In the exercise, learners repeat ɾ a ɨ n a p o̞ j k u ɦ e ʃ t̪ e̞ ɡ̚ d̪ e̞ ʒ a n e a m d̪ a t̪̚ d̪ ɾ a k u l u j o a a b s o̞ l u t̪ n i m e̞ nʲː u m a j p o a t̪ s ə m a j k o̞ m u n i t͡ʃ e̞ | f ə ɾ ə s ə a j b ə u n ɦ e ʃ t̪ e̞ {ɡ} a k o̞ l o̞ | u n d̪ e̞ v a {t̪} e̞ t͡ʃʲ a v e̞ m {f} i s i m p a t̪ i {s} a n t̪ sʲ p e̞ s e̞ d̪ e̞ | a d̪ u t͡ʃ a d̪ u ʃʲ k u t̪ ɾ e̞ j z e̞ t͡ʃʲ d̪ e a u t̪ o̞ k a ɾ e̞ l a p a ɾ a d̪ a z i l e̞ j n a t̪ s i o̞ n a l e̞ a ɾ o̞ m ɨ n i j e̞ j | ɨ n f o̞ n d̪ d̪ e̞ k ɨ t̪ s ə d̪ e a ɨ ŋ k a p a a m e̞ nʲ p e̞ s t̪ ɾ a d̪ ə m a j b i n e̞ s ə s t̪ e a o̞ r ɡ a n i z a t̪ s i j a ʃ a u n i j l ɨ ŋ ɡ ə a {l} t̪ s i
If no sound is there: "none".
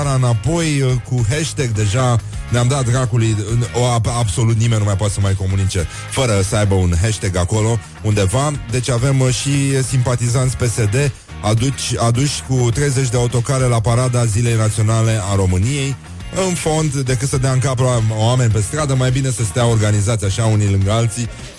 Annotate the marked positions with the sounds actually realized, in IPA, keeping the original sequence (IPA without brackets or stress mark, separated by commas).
ɡ, d̪, ʃ, z, l